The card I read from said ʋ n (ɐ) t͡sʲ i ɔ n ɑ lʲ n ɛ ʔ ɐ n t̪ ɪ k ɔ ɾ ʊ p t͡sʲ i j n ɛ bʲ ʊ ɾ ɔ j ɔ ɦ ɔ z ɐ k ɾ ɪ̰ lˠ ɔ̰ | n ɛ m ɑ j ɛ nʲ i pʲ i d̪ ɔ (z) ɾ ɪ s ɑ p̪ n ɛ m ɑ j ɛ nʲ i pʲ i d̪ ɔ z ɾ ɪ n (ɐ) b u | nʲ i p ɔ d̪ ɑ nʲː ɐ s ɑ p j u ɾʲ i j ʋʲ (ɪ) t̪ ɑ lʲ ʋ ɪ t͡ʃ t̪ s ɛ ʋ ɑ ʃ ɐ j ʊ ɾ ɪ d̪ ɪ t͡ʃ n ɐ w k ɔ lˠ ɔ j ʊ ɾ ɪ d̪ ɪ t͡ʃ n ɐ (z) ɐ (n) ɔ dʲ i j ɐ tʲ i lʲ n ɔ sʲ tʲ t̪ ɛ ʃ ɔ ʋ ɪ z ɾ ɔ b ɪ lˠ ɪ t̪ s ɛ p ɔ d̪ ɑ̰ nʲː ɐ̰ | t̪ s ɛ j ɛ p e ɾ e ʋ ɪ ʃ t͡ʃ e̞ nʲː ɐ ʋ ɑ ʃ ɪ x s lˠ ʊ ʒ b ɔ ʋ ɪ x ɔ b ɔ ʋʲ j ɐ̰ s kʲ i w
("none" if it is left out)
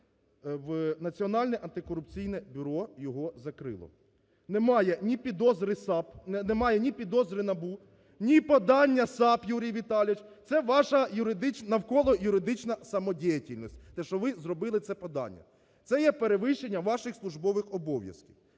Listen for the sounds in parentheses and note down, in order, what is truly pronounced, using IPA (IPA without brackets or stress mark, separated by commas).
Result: ɐ, z, ɐ, i, s, m